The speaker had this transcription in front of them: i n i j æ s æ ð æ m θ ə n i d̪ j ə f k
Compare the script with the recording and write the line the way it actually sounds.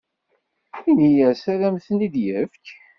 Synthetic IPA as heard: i n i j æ s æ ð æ m θ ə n i d̪ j ə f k